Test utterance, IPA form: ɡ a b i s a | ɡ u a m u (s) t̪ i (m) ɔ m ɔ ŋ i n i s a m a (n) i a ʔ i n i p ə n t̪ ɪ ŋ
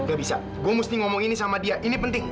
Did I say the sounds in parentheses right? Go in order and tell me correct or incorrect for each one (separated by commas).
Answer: correct, incorrect, incorrect